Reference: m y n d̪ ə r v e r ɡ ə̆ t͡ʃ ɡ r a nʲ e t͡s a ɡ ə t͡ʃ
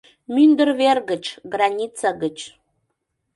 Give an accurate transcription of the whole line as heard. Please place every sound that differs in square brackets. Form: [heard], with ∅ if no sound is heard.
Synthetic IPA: m y n d̪ ə r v e r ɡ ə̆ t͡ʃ ɡ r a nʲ [i] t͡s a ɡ ə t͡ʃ